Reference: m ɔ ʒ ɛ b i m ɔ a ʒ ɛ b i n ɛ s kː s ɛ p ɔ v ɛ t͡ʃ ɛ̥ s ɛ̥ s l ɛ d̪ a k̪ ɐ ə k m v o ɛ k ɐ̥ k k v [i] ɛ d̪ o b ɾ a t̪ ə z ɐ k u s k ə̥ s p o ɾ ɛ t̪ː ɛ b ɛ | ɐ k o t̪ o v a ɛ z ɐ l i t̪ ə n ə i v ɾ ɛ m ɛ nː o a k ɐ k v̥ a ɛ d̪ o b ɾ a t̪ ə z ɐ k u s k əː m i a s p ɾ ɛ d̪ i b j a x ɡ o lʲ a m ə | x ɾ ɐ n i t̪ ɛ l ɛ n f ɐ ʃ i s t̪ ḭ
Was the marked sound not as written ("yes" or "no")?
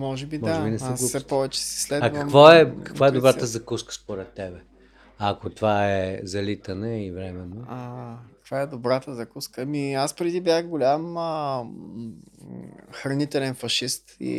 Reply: yes